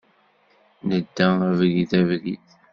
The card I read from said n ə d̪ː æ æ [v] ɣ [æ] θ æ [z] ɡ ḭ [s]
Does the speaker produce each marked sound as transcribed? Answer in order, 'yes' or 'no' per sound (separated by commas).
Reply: yes, no, no, no